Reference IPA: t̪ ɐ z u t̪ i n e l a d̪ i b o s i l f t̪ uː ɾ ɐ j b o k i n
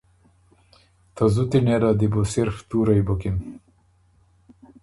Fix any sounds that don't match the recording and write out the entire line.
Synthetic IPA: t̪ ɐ z u t̪ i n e ɾ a d̪ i b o s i ɾ f t̪ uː ɾ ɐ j b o k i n